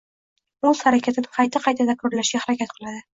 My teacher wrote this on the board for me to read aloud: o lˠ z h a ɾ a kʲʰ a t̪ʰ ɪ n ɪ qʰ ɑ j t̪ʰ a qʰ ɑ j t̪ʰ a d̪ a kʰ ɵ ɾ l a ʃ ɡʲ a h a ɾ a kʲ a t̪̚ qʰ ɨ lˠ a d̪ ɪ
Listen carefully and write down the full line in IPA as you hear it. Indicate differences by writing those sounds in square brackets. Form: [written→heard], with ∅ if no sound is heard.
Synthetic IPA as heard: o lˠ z h a ɾ a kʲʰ a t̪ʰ ɪ n ɪ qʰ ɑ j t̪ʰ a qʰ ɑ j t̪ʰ a d̪ a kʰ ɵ ɾ l a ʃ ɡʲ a h a ɾ a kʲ a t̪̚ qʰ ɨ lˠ a d̪ ɪ